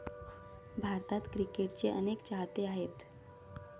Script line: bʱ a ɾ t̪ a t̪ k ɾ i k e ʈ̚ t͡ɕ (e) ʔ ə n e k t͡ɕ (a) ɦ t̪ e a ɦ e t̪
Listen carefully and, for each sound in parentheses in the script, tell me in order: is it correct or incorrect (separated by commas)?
correct, correct